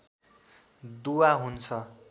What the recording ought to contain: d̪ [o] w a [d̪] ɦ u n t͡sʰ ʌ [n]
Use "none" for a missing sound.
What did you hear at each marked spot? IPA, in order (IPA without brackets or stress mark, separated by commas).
u, none, none